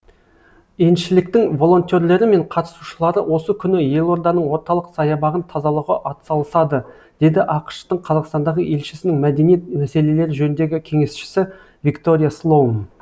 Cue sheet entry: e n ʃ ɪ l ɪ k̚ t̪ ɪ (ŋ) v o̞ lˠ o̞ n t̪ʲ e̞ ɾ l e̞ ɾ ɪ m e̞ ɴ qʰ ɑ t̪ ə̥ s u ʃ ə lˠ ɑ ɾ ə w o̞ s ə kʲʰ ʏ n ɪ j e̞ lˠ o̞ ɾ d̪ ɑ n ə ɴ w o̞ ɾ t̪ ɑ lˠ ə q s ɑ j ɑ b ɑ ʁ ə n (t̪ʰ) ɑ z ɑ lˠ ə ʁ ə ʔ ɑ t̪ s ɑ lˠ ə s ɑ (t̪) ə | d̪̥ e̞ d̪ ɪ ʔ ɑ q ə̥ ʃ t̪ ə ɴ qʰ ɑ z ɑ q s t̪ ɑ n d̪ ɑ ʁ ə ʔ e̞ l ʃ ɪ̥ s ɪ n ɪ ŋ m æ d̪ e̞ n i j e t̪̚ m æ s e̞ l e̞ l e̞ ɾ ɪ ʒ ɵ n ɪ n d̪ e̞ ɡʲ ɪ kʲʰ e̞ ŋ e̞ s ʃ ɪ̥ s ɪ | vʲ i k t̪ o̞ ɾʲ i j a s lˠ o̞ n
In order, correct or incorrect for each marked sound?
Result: correct, correct, incorrect: d̪

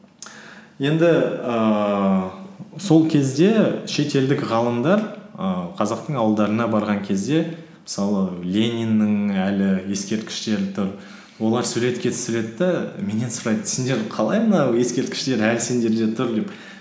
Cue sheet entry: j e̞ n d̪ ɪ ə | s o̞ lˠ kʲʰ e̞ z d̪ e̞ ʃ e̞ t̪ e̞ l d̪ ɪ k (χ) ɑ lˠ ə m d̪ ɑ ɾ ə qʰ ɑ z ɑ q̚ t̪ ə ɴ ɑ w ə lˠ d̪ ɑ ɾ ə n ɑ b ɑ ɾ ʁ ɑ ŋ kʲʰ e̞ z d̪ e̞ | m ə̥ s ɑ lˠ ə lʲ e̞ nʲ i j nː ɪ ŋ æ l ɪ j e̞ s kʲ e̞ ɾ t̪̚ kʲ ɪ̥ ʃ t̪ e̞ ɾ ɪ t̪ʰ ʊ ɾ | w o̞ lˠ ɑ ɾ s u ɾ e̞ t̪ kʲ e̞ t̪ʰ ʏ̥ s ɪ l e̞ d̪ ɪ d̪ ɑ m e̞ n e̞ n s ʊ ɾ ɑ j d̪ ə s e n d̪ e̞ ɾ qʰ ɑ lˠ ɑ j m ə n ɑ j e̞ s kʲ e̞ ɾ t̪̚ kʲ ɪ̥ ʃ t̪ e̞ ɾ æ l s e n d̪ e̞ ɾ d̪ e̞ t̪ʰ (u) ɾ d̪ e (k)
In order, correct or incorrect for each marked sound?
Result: incorrect: ʁ, incorrect: ʊ, incorrect: p

